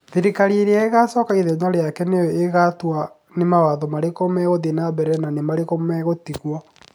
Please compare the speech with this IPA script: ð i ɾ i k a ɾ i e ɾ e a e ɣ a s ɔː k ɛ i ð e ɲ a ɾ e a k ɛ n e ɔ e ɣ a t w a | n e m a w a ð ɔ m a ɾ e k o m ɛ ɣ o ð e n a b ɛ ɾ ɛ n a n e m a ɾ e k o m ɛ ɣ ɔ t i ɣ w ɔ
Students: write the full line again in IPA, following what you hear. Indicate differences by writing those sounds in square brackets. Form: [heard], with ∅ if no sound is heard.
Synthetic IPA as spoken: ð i ɾ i k a ɾ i e ɾ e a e ɣ a s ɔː k [a] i ð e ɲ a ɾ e a k ɛ n e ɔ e ɣ a t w a | n e m a w a ð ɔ m a ɾ e k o m ɛ ɣ o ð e n a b ɛ ɾ ɛ n a n e m a ɾ e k o m ɛ ɣ [o] t i ɣ w ɔ